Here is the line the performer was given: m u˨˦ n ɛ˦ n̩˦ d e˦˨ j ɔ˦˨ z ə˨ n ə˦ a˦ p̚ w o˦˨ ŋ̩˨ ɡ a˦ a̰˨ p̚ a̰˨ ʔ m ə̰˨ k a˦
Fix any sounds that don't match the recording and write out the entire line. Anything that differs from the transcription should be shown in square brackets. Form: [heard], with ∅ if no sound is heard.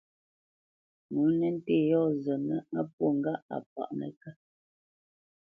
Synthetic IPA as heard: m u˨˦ n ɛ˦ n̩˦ [t] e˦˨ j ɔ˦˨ z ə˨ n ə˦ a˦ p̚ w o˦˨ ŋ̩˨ ɡ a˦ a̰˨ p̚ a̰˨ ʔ [n] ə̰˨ k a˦